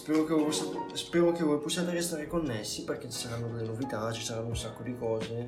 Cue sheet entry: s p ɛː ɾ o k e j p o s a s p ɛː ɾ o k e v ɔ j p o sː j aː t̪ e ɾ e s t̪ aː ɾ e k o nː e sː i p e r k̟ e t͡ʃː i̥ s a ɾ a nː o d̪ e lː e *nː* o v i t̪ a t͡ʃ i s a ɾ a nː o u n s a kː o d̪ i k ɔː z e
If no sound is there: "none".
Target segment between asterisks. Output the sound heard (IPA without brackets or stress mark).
n